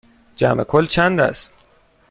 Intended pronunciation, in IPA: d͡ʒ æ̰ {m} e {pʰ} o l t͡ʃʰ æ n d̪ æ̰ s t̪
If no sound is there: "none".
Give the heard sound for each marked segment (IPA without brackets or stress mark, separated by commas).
m, kʰ